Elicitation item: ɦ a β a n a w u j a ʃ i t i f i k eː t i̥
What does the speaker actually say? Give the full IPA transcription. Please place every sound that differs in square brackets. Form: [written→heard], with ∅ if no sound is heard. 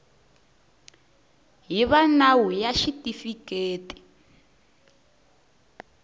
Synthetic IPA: ɦ [a→i] β a n a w u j a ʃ i t i f i k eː t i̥